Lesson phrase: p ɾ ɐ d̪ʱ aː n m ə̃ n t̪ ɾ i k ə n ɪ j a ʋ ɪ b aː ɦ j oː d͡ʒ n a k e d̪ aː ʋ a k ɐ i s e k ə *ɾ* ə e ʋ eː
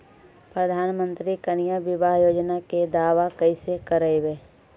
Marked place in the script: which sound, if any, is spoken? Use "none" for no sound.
ɾ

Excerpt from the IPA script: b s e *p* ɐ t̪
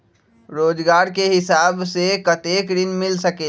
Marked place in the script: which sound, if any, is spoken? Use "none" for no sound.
k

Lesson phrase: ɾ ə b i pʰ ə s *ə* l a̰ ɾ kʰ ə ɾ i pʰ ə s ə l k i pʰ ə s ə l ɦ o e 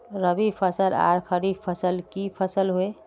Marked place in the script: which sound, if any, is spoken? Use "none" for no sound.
ə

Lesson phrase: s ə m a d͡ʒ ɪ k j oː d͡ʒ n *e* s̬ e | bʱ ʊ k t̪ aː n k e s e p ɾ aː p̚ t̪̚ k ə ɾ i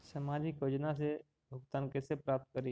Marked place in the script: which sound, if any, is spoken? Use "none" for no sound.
a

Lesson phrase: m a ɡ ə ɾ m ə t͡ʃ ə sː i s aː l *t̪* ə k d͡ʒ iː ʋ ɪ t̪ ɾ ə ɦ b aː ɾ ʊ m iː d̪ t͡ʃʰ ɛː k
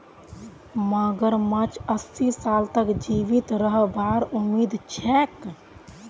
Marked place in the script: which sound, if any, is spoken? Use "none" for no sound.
t̪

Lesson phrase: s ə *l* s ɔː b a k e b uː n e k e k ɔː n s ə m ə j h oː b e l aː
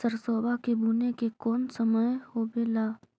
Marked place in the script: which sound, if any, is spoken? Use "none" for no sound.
ɾ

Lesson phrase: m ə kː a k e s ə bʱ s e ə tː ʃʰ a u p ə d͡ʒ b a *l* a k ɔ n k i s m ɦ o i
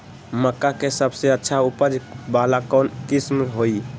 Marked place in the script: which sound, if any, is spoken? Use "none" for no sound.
l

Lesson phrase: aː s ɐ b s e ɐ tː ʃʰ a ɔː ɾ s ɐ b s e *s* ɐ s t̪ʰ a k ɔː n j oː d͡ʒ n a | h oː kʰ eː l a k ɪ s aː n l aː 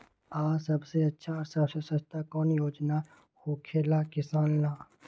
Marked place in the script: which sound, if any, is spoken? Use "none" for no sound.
s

